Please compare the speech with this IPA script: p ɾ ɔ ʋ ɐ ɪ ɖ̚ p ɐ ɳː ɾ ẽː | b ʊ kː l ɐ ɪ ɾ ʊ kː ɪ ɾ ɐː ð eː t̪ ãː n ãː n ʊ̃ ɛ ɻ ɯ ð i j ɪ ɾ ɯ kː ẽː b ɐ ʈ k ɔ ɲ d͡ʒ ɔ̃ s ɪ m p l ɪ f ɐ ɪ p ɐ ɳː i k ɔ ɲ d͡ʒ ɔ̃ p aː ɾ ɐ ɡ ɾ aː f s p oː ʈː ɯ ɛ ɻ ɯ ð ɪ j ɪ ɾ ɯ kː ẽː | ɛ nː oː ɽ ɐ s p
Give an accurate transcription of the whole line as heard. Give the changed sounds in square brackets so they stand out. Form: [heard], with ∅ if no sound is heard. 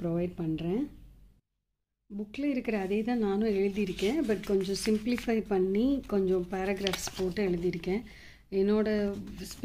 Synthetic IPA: p ɾ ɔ ʋ ɐ ɪ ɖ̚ p ɐ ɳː ɾ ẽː | b ʊ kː l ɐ ɪ ɾ [ɯ] kː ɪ ɾ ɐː ð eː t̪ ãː n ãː n ʊ̃ ɛ ɻ ɯ ð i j ɪ ɾ ɯ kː ẽː b ɐ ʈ k ɔ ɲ d͡ʒ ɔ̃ s ɪ m p l ɪ f ɐ ɪ p ɐ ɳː i k ɔ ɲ d͡ʒ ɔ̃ p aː ɾ ɐ ɡ ɾ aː f s p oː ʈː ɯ ɛ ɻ ɯ ð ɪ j ɪ ɾ ɯ kː ẽː | ɛ nː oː ɽ ɐ s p